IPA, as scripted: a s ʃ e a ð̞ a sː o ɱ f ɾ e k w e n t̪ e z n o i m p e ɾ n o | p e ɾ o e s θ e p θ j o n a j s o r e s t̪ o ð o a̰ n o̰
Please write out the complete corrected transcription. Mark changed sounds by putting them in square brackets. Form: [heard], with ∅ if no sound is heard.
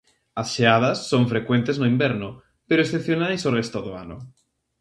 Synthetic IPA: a s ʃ e a ð̞ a sː o ɱ f ɾ e k w e n t̪ e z n o i m [b] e ɾ n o | p e ɾ o e s θ e p θ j o n a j s o r e s t̪ o ð o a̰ n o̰